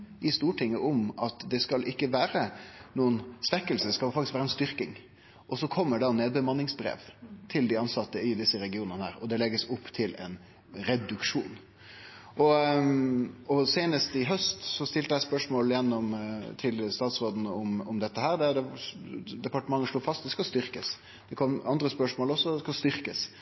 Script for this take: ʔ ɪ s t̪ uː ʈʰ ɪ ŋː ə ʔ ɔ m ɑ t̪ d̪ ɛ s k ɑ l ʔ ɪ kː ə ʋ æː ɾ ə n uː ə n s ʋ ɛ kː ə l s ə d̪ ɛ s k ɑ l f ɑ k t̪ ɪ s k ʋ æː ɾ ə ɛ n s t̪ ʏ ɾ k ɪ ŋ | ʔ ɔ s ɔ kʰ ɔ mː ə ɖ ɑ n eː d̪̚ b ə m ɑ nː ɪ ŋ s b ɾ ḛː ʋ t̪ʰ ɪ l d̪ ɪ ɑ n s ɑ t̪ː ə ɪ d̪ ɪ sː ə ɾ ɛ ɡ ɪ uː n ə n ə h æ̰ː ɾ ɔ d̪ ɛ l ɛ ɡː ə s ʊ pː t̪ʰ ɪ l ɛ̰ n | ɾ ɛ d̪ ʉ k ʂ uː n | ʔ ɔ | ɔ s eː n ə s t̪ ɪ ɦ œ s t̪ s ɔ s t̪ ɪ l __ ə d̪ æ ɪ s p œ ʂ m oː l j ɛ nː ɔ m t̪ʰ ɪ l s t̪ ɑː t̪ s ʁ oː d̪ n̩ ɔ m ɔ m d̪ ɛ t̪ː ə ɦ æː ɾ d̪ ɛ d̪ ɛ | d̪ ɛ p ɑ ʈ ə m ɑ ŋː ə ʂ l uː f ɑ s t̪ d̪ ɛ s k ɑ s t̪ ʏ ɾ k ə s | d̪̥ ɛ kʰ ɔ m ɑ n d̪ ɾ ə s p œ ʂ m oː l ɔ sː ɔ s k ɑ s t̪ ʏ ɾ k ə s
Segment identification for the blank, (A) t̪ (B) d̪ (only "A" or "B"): A